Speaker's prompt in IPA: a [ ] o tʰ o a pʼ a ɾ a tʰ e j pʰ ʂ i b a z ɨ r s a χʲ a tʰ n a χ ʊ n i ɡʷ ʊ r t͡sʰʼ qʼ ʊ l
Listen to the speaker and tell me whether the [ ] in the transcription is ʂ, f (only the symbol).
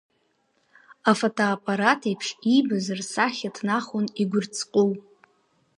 f